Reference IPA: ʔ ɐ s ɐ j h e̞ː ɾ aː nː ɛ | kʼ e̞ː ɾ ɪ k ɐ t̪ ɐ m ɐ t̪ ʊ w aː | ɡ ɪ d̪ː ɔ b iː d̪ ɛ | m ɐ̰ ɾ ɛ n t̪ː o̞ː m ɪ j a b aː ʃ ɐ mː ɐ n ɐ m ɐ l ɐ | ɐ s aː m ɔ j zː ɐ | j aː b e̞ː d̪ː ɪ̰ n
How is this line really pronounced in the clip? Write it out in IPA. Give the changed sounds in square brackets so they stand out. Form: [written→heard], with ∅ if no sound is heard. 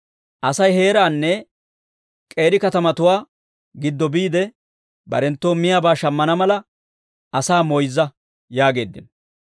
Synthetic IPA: ʔ ɐ s ɐ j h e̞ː ɾ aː nː ɛ | kʼ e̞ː ɾ ɪ k ɐ t̪ ɐ m ɐ t̪ ʊ w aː | ɡ ɪ d̪ː ɔ b iː d̪ ɛ | [m→b] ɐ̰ ɾ ɛ n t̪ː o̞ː m ɪ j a b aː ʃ ɐ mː ɐ n ɐ m ɐ l ɐ | ɐ s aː m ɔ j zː ɐ | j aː [b→ɡ] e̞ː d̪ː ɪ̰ n